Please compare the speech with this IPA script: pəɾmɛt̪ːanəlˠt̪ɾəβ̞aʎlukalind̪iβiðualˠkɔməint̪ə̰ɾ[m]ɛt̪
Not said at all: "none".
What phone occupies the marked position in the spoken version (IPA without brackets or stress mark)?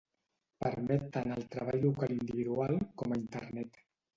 n